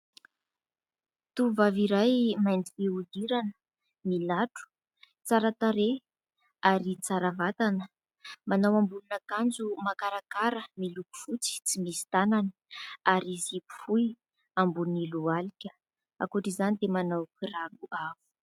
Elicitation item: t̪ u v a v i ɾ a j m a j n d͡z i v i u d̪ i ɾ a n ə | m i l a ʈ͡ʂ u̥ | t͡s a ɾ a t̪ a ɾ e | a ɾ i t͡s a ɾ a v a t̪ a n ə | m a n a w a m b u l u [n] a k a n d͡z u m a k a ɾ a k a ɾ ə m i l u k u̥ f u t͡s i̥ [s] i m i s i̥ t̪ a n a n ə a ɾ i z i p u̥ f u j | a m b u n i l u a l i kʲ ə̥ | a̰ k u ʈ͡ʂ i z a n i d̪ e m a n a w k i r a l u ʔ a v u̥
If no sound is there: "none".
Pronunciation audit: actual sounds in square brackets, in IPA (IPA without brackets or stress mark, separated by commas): n, t͡s